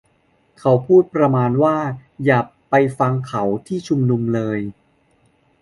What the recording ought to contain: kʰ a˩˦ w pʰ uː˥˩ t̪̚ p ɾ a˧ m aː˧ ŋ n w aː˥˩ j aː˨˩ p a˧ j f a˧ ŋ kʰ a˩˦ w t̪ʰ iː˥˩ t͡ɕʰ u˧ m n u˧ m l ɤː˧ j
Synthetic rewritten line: kʰ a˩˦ w pʰ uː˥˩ t̪̚ p ɾ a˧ m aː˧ n w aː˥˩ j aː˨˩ p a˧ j f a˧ ŋ kʰ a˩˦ w t̪ʰ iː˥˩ t͡ɕʰ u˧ m n u˧ m l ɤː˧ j